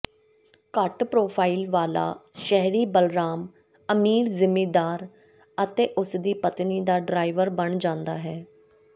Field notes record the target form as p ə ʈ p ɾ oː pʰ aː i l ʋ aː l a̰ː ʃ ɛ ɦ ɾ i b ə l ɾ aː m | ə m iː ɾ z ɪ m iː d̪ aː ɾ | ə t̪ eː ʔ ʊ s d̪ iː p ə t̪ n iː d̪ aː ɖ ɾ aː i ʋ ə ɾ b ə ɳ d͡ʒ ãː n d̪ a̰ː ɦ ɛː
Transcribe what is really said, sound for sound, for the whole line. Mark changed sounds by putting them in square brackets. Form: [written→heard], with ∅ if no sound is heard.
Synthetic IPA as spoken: [p→k] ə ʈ p ɾ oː pʰ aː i l ʋ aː l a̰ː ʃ ɛ ɦ ɾ [i→iː] b ə l ɾ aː m | ə m iː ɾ z ɪ m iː d̪ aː ɾ | ə t̪ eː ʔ ʊ s d̪ iː p ə t̪ n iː d̪ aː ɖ ɾ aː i ʋ ə ɾ b ə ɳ d͡ʒ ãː n d̪ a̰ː ɦ ɛː